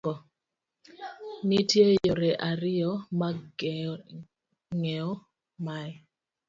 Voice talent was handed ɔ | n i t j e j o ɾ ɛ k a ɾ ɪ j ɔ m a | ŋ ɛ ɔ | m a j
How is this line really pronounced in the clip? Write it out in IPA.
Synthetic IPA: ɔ | n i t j e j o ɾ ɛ ʔ a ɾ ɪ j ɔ m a | ŋ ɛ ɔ | m a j